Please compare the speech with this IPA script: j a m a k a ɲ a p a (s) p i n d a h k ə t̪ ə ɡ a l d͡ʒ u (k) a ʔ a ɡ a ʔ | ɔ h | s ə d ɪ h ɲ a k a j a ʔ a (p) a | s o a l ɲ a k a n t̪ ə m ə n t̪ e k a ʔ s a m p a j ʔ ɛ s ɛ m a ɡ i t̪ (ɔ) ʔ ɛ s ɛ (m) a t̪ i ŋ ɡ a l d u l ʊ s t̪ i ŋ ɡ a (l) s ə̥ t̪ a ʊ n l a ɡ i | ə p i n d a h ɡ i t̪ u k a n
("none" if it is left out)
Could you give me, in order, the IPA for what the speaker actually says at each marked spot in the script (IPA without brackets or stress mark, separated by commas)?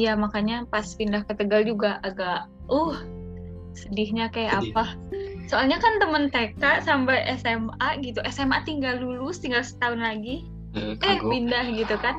s, ɡ, p, u, m, l